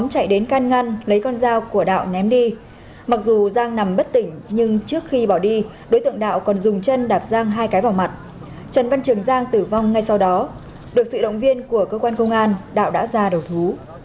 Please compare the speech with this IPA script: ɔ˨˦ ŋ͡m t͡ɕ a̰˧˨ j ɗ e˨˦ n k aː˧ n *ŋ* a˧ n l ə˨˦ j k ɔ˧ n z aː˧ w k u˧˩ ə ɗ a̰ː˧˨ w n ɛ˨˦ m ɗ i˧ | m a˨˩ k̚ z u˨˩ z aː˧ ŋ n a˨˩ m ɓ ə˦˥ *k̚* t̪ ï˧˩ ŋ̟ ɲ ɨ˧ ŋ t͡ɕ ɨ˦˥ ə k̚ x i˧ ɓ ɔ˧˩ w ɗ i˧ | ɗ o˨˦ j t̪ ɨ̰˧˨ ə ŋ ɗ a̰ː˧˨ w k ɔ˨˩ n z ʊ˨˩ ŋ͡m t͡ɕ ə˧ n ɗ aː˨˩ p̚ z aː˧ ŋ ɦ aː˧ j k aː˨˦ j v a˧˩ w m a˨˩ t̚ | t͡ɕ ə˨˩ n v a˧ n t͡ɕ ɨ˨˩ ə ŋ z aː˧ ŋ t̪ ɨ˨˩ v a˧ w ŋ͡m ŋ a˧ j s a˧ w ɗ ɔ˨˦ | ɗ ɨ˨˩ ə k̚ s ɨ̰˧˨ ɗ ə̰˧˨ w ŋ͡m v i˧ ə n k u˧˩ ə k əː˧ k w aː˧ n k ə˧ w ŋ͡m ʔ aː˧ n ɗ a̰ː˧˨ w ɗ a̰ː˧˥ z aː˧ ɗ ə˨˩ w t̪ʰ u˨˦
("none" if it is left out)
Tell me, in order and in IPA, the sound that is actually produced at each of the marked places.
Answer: ŋ, t̚

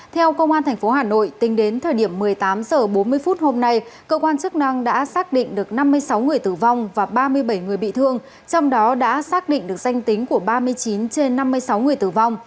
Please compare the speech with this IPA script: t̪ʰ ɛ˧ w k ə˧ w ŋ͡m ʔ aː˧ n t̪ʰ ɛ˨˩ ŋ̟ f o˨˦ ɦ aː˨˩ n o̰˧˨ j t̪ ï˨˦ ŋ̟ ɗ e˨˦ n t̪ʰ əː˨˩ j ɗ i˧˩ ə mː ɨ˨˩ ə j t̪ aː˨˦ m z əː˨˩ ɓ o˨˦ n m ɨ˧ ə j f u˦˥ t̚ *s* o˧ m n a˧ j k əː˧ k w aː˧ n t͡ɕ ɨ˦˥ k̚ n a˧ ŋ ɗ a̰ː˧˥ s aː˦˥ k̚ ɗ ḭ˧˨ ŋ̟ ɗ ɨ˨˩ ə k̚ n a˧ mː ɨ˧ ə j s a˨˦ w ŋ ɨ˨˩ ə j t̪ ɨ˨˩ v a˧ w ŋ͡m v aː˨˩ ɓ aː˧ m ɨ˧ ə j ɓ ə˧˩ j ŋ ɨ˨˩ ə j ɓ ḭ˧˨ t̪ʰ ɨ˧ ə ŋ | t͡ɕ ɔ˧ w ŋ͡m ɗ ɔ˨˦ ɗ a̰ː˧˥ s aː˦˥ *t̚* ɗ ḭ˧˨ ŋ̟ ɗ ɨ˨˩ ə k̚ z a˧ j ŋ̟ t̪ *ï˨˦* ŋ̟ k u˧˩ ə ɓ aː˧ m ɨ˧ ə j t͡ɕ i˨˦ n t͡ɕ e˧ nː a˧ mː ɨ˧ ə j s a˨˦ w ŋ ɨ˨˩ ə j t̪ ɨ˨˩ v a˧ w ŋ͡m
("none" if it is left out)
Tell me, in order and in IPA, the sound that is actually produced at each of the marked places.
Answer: h, k̚, ï˨˦

